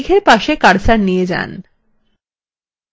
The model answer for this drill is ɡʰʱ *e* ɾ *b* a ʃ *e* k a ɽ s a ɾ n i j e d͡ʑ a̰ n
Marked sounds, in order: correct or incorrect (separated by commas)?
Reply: correct, incorrect, correct